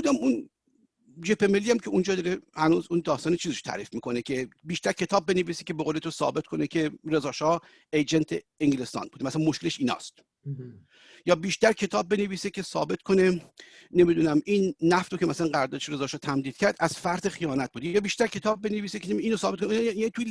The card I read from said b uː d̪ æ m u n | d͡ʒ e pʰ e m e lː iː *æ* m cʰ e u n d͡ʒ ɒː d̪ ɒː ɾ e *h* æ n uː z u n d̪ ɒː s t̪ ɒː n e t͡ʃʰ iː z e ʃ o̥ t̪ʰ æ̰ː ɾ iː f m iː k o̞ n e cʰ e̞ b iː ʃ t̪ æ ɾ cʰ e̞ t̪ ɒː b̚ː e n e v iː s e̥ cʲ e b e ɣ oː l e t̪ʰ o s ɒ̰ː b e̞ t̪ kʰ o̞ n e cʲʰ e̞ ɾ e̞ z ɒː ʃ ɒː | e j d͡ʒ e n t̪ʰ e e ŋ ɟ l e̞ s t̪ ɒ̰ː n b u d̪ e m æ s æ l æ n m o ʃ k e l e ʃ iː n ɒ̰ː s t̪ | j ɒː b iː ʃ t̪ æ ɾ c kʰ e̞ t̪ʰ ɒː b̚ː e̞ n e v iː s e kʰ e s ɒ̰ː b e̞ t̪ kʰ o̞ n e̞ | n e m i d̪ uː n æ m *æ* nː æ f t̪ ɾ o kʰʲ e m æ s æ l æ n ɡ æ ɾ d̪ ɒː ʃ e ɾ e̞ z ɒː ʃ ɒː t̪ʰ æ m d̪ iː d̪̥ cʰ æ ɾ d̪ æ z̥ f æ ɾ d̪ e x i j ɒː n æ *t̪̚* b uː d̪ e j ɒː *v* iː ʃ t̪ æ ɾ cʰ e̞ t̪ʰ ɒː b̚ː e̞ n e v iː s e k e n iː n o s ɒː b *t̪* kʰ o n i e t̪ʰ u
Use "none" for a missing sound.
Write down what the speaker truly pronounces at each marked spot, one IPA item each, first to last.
æ, h, i, t̪̚, b, t̪

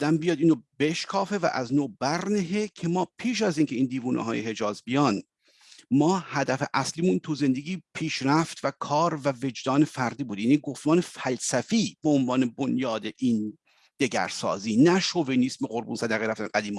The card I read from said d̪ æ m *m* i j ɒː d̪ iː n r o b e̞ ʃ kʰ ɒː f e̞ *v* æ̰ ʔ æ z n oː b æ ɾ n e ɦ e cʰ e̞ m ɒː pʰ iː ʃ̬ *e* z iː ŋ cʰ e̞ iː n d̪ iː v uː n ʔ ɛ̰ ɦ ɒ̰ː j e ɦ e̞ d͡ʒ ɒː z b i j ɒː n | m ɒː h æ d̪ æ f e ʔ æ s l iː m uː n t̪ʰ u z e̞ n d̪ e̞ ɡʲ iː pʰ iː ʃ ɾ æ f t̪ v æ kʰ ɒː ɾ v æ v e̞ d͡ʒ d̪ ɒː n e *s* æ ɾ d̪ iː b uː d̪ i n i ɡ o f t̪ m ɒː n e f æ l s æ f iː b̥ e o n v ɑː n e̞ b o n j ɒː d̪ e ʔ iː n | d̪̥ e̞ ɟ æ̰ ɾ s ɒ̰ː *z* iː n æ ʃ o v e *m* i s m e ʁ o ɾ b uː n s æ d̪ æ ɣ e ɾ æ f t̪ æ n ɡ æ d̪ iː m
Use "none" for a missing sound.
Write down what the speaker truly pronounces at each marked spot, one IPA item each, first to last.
b, v, æ, f, z, n

